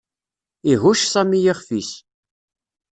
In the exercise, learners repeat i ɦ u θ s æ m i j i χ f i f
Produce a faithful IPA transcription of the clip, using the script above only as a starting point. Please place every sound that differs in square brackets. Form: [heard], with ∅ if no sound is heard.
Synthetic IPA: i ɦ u [ʃ] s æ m i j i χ f i [s]